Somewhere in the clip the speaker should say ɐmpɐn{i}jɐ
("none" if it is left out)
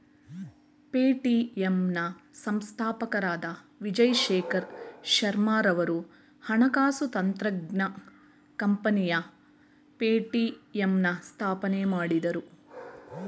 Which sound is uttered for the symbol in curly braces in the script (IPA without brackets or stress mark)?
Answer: i